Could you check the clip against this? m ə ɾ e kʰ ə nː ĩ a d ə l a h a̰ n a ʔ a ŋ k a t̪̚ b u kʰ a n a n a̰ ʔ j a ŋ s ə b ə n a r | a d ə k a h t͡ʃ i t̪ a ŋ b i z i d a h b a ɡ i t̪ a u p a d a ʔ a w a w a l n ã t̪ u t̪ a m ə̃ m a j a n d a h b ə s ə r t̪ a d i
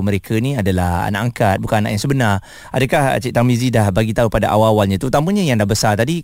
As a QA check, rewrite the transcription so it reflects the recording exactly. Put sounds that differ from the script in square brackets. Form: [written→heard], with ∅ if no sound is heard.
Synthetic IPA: m ə ɾ e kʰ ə [nː→n] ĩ a d [ə→a] l a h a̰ n a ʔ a ŋ k a t̪̚ b u [kʰ→k] a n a n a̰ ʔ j a ŋ s ə b ə n a r | a d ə k a h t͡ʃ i t̪ a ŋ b i z i d a h b a ɡ i t̪ a u p a d a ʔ a w a w a l [n→ɲ] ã t̪ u t̪ a m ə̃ [m→ɲ] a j a [n→ŋ] d a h b ə s [ə→a] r t̪ a d i